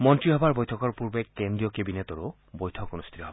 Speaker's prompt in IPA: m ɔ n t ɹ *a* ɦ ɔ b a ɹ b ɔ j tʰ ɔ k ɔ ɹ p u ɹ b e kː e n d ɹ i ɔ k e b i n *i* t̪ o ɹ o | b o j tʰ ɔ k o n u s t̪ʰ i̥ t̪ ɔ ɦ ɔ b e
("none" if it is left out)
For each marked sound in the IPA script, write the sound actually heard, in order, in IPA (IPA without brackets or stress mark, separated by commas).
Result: i, e